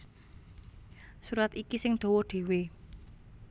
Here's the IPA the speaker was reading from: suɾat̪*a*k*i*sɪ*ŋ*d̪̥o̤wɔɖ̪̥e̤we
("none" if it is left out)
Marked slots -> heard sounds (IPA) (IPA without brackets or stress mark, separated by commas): i, i, ŋ